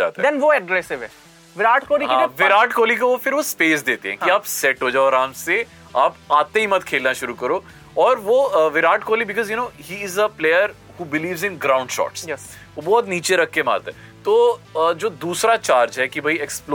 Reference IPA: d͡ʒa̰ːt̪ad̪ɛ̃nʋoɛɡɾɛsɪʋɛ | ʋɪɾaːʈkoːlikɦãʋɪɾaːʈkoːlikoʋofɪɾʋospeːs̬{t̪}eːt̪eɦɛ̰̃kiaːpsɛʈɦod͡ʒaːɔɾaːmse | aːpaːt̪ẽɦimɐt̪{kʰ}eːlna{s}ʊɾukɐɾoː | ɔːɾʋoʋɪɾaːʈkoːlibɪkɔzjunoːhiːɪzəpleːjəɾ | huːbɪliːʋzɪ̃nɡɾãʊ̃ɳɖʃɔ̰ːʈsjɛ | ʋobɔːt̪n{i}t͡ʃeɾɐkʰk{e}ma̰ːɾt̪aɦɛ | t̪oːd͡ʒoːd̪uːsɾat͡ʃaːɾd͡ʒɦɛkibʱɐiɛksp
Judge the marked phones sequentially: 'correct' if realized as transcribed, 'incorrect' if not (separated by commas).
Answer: incorrect, correct, incorrect, incorrect, correct